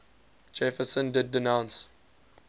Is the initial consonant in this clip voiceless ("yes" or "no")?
no